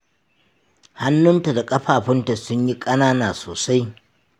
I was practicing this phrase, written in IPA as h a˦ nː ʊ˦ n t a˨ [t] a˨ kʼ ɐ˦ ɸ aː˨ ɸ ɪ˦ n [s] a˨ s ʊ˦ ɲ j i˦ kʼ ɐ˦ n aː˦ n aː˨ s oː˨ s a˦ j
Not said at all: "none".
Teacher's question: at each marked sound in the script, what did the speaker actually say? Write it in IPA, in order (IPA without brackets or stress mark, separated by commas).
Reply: d, t